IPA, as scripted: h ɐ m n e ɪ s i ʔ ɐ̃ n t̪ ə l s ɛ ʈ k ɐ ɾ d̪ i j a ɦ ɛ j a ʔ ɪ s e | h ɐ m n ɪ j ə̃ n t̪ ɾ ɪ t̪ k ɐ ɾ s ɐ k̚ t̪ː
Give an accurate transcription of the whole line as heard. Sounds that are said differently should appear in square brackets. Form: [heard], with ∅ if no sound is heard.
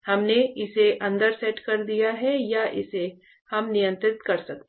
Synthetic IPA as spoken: h ɐ m n e ɪ s [e] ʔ ɐ̃ n [d̪] ə [ɾ] s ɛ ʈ k ɐ ɾ d̪ i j a ɦ ɛ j a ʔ ɪ s e | h ɐ m n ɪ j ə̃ n t̪ ɾ ɪ t̪ k ɐ ɾ s ɐ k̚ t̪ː